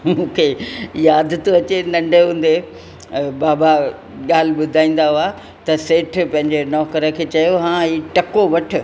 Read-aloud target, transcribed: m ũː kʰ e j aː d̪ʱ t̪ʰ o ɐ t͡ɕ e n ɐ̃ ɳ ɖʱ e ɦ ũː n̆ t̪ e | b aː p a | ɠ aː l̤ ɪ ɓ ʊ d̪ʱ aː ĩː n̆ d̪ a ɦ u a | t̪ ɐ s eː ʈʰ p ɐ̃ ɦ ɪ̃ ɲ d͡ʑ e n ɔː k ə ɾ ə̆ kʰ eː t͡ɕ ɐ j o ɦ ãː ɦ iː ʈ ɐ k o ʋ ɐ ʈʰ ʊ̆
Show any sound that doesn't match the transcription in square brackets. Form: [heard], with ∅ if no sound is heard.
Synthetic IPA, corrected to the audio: m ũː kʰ e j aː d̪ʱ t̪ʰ o ɐ t͡ɕ e n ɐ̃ ɳ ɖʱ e ɦ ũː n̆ [d̪] e | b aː [b] a | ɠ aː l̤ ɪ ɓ ʊ d̪ʱ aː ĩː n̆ d̪ a ɦ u a | t̪ ɐ s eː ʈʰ p ɐ̃ ɦ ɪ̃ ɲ d͡ʑ e n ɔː k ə ɾ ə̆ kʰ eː t͡ɕ ɐ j o ɦ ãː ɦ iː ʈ ɐ k o ʋ ɐ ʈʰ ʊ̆